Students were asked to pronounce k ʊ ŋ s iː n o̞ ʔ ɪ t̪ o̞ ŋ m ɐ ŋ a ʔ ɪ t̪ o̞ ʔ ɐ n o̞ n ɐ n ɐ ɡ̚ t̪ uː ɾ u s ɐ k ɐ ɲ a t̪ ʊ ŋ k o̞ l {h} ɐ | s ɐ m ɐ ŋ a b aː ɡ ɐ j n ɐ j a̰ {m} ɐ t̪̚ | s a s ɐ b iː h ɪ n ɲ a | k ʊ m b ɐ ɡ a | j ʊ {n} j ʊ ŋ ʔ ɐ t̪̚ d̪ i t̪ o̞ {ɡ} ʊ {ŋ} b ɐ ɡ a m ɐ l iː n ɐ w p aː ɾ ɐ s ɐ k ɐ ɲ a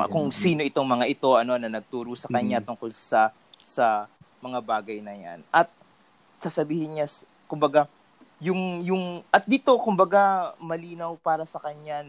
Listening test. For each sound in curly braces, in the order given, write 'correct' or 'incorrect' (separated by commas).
incorrect, incorrect, incorrect, incorrect, incorrect